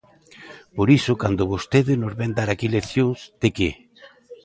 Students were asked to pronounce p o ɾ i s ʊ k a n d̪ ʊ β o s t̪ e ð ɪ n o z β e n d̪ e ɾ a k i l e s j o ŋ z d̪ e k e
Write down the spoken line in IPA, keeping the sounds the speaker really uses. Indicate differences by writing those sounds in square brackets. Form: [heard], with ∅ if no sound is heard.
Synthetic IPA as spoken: p o ɾ i s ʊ k a n d̪ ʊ β o s t̪ e ð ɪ n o z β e n d̪ [a] ɾ a k i l e [θ] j o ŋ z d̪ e k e